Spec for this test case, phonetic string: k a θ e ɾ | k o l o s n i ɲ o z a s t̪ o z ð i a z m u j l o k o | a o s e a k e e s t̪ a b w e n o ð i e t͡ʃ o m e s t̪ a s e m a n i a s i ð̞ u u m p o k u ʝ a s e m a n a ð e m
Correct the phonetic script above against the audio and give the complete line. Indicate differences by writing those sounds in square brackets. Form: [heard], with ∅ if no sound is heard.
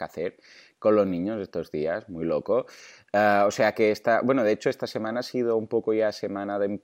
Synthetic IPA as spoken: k a θ e ɾ | k o l o [z] n i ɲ o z [e] s t̪ o z ð i a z m u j l o k o | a o s e a k e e s t̪ a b w e n o ð [e] e t͡ʃ o [∅] e s t̪ a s e m a n [a] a s i ð̞ [o] u m p o k [o] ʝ a s e m a n a ð e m